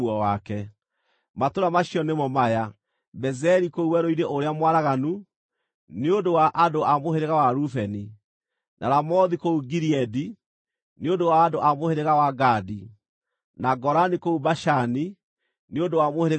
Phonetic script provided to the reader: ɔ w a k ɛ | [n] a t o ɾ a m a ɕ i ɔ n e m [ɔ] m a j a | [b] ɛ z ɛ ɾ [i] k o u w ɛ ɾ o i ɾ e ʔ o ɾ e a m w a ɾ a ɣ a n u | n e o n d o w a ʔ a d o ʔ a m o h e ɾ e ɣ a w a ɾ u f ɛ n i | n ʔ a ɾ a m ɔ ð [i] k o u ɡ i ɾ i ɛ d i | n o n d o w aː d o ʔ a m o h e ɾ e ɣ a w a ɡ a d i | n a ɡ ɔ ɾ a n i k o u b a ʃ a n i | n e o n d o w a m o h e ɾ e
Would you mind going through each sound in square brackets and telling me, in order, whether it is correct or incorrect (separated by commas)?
incorrect, correct, correct, correct, correct